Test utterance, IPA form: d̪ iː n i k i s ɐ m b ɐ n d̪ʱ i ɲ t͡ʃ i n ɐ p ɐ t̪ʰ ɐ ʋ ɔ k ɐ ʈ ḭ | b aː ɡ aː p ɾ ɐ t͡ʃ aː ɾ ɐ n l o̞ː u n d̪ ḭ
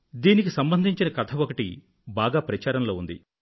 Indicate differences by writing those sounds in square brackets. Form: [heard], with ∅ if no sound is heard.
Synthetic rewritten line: d̪ iː n i k i s ɐ m b ɐ n d̪ʱ i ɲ t͡ʃ i n ɐ [k] ɐ t̪ʰ ɐ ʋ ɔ k ɐ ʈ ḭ | b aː ɡ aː p ɾ ɐ t͡ʃ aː ɾ ɐ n l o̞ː u n d̪ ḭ